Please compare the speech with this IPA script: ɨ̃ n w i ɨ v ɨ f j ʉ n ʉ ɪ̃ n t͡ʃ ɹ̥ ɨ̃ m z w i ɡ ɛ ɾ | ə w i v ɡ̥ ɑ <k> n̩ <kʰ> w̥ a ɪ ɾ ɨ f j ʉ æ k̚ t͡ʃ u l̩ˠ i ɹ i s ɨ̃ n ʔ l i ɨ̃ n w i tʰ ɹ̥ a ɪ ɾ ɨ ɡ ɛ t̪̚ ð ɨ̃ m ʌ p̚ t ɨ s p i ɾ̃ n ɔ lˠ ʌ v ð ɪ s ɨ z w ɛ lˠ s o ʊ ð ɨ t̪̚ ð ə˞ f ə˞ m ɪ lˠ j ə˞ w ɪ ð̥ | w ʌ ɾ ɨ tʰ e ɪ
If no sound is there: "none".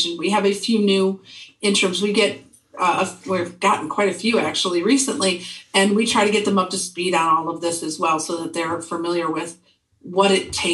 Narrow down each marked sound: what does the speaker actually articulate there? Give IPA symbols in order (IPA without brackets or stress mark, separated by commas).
ʔ, kʰ